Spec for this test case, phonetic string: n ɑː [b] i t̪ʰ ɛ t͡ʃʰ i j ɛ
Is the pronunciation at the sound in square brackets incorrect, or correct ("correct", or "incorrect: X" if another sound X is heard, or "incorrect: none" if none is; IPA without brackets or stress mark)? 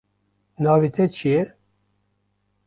incorrect: v